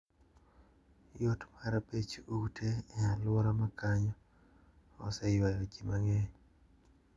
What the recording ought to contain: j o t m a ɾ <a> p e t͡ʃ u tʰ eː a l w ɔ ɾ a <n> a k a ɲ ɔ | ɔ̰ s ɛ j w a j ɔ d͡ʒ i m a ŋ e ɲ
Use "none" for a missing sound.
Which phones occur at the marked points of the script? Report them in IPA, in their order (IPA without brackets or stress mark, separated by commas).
a, m